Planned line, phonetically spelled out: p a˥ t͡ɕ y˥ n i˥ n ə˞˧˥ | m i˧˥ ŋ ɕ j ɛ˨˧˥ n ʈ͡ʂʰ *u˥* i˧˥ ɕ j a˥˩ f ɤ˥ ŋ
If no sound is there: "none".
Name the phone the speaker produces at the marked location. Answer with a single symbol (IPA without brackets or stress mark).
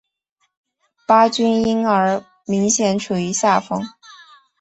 u˨˩